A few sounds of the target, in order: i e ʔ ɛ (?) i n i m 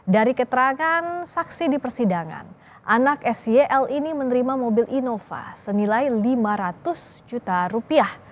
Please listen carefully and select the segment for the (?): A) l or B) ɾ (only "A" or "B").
A